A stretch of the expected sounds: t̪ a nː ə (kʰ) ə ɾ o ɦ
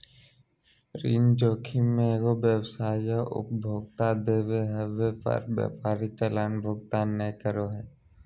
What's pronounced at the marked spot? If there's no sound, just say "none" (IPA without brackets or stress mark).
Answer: k